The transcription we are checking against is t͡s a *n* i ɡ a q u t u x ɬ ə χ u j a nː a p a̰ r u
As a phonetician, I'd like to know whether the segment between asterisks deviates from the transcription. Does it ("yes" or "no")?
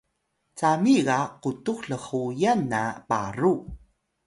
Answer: yes